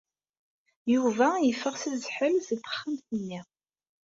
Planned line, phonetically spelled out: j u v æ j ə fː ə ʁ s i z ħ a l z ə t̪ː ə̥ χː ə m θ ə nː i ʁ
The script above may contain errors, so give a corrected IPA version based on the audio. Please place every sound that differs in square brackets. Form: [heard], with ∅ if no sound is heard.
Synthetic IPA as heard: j u v æ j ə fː ə ʁ s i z ħ [ə] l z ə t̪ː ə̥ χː ə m θ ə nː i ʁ